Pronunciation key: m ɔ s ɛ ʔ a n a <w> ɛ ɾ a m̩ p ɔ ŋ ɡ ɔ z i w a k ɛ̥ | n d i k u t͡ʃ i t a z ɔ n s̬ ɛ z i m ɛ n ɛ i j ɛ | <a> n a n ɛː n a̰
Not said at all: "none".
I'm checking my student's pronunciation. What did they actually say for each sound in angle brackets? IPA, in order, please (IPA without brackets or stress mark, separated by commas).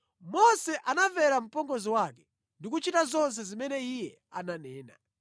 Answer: v, a